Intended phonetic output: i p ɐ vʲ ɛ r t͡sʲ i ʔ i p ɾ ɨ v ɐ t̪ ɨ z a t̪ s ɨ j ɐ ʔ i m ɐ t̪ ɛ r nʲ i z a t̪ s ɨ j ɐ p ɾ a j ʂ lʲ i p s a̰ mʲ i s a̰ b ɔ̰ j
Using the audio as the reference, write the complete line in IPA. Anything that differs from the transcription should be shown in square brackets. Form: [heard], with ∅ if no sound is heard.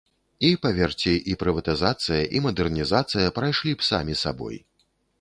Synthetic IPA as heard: i p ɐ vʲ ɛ r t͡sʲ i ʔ i p ɾ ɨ v ɐ t̪ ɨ z a t̪ s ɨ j ɐ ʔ i m ɐ [d̪] ɛ r nʲ i z a t̪ s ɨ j ɐ p ɾ a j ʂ lʲ i p s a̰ mʲ i s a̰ b ɔ̰ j